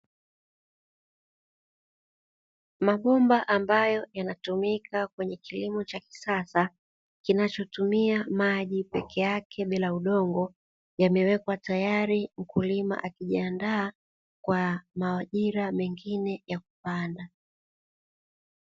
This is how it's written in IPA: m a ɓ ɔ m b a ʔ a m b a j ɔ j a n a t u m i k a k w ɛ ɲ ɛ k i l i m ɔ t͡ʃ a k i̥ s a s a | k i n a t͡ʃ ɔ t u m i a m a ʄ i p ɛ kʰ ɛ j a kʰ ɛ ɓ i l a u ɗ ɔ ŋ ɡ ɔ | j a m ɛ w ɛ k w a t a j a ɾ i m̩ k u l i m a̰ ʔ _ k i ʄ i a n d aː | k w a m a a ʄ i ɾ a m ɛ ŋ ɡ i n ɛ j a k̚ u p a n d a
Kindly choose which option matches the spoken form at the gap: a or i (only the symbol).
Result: a